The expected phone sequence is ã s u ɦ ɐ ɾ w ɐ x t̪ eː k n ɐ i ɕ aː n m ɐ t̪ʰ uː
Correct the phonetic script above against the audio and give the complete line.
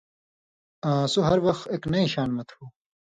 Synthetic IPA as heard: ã s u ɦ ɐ ɾ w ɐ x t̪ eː k n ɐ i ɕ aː n m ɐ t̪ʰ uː